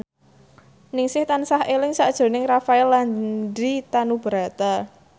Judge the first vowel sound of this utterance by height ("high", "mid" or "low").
high